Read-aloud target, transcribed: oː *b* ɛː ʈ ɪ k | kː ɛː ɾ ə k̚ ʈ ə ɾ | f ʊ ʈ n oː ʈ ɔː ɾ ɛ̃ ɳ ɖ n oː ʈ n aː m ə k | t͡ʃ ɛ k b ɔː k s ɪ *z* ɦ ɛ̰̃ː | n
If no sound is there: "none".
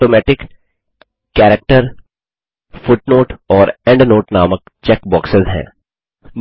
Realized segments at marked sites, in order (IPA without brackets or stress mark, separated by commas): m, z